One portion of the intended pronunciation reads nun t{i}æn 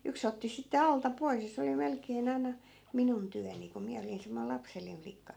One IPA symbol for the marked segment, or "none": y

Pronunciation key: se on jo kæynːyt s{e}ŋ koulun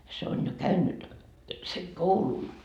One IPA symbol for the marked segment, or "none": e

